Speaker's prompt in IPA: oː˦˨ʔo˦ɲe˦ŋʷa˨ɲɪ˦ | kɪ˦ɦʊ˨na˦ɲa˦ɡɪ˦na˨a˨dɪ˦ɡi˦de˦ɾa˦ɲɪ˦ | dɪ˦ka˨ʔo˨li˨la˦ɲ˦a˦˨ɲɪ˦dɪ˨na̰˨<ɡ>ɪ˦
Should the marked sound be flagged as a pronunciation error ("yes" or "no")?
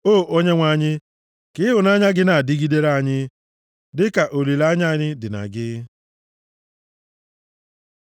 no